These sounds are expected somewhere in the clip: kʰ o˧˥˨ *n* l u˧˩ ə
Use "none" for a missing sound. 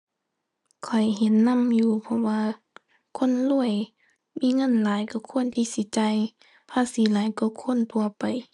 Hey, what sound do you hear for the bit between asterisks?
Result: n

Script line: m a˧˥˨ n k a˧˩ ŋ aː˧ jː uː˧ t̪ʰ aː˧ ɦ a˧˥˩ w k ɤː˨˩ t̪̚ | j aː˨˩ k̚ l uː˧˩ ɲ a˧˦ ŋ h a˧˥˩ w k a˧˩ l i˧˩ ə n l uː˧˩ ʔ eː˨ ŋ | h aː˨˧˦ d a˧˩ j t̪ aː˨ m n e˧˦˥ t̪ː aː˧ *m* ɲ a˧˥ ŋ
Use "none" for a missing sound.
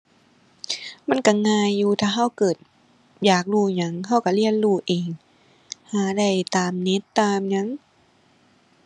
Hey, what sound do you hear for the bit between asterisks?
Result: m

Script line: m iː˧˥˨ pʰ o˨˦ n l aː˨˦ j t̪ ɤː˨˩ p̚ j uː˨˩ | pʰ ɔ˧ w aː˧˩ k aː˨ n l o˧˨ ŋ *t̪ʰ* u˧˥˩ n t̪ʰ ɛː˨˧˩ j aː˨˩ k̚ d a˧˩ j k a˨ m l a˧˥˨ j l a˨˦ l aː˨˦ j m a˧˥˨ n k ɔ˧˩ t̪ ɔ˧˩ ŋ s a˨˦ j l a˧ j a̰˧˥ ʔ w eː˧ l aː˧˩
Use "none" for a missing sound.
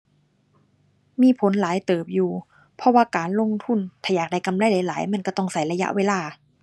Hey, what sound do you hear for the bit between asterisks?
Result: t̪ʰ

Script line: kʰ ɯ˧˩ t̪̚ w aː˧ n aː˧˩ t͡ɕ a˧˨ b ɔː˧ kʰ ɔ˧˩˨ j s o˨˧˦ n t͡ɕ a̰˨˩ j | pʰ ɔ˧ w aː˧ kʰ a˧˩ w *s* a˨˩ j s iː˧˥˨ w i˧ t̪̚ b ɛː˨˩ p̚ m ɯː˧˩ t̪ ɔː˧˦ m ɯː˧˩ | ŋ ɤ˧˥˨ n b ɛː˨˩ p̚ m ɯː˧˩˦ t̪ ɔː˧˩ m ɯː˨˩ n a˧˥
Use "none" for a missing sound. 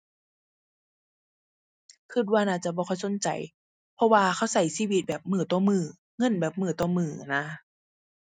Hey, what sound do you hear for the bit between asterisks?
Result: s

